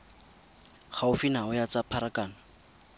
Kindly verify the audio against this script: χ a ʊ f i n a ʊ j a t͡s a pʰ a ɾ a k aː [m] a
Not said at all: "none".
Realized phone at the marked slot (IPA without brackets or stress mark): n